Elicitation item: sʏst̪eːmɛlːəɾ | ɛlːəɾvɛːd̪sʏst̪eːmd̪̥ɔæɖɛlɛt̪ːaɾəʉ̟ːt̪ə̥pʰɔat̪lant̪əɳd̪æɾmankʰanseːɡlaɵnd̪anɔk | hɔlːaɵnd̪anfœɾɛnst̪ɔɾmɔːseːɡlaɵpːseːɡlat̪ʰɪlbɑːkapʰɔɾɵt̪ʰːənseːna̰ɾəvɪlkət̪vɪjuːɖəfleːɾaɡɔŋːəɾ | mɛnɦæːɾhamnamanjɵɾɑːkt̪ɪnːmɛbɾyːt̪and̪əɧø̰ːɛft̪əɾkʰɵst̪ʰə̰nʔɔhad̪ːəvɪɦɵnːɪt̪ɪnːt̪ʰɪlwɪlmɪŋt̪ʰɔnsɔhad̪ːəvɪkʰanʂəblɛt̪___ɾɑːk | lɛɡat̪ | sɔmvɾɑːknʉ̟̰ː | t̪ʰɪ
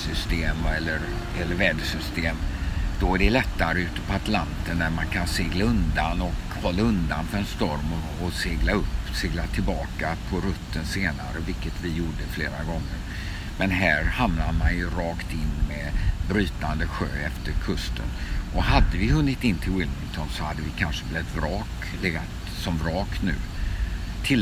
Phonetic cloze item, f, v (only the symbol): v